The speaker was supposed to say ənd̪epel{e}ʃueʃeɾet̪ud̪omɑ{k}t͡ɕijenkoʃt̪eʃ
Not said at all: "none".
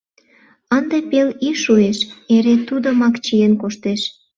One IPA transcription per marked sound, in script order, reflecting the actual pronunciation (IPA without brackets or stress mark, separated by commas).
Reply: i, k